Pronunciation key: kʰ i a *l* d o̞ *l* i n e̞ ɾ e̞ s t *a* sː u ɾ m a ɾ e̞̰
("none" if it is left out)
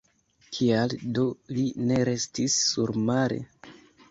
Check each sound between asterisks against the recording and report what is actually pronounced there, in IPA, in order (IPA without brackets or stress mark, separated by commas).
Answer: l, l, i